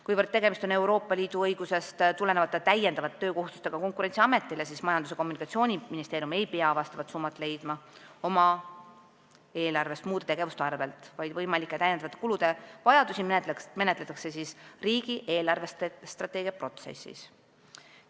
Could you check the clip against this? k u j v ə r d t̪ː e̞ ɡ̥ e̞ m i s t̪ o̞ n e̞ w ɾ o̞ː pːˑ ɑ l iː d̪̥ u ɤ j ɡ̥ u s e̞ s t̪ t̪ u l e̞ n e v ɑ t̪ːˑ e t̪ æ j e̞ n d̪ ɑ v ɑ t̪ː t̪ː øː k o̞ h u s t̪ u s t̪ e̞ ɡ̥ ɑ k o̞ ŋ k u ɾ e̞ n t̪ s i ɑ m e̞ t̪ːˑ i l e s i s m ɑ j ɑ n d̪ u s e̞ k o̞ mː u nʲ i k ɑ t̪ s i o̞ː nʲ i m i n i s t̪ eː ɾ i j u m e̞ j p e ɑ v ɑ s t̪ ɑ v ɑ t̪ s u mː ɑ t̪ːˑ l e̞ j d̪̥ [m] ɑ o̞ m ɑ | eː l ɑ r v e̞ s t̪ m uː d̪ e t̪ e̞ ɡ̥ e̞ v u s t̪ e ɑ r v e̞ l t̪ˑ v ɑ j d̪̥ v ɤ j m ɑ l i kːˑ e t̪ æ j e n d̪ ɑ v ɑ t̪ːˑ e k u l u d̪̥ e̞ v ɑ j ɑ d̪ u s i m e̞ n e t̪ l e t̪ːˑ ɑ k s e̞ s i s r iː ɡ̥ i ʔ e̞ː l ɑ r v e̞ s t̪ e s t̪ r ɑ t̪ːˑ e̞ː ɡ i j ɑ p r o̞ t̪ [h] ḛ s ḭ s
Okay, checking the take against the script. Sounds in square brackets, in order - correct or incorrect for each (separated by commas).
correct, incorrect